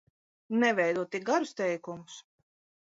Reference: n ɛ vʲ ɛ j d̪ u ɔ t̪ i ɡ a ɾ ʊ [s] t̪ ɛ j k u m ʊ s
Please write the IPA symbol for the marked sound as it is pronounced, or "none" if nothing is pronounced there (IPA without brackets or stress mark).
s